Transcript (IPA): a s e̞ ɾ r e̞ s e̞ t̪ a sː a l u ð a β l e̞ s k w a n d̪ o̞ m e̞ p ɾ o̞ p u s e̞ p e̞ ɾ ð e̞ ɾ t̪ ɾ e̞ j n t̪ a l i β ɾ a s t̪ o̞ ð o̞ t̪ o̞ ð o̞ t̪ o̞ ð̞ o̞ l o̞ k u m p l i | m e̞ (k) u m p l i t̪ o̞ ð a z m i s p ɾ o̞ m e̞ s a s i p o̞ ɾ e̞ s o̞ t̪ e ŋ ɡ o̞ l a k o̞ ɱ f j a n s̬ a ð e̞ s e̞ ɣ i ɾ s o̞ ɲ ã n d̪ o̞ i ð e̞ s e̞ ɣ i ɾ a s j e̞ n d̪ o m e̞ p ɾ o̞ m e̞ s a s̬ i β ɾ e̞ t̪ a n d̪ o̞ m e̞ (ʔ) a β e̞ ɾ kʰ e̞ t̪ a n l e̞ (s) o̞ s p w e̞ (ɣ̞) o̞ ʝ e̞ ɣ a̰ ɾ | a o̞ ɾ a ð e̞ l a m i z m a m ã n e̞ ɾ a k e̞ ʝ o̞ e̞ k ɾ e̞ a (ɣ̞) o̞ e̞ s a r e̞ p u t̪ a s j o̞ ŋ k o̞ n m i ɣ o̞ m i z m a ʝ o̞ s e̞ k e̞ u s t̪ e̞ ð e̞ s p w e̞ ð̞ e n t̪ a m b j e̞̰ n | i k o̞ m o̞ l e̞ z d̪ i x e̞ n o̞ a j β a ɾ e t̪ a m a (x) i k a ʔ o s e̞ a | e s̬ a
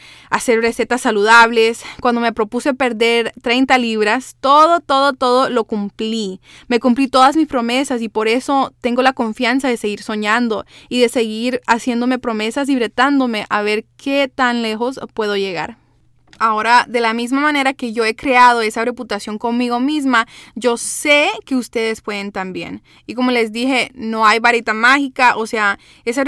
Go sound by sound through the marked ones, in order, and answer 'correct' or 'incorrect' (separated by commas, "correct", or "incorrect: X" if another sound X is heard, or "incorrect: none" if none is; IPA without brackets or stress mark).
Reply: correct, correct, incorrect: x, incorrect: ð̞, incorrect: ð̞, correct